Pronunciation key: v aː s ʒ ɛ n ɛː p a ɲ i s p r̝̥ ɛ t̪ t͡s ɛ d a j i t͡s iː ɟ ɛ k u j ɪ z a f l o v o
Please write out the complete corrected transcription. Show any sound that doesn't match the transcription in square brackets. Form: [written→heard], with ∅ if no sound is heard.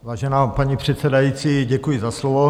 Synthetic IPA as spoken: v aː [s→∅] ʒ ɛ n [ɛː→aː] p a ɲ i [s→∅] p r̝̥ ɛ t̪ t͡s ɛ d a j i t͡s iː ɟ ɛ k u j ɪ z a [f→s] l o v o